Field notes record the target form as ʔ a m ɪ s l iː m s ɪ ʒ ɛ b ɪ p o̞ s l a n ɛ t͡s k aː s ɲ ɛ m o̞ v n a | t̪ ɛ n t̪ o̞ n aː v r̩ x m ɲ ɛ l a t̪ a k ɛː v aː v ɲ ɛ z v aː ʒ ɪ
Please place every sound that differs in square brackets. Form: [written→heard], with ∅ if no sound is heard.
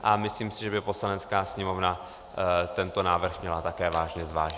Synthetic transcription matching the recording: ʔ a m ɪ s l iː m s ɪ ʒ ɛ b ɪ p o̞ s l a n ɛ t͡s k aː s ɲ ɛ m o̞ v n a | t̪ ɛ n t̪ o̞ n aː v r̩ x m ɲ ɛ l a t̪ a k ɛː v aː [v→ʒ] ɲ ɛ z v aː ʒ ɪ